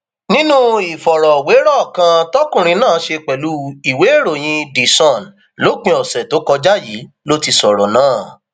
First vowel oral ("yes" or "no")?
no